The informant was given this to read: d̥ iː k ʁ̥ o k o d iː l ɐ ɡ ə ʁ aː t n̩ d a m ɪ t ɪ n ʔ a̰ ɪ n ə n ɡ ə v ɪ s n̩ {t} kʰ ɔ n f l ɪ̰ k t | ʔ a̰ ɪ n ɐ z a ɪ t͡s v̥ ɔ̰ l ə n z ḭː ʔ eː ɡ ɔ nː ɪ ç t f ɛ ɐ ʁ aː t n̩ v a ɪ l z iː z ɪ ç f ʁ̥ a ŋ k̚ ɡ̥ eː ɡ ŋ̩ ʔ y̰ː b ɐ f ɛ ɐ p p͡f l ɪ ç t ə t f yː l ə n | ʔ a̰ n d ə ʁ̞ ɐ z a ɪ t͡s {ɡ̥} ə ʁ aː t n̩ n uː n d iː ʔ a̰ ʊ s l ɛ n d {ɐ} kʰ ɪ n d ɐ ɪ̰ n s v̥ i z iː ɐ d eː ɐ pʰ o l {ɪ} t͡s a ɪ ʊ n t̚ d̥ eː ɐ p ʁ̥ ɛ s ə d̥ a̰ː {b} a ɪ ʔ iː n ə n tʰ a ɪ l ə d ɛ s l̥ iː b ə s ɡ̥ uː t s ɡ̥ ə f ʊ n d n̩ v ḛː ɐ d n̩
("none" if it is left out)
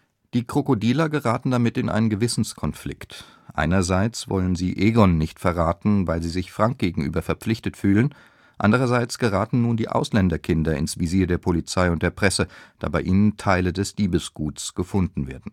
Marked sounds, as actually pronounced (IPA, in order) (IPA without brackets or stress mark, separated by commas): s, ɡ̥, ɐ, i, b